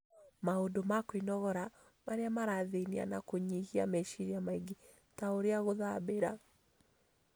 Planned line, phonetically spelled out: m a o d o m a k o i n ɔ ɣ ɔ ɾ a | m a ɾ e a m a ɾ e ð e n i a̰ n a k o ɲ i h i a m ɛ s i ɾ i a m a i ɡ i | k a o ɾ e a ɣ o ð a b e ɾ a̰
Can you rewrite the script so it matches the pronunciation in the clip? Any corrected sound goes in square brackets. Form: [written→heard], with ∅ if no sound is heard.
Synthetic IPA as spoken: m a o d o m a k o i n ɔ ɣ ɔ ɾ a | m a ɾ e a m a ɾ [e→a] ð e n i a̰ n a k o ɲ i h i a m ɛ [s→ʃ] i ɾ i a m a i ɡ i | [k→t] a o ɾ e a ɣ o ð a b e ɾ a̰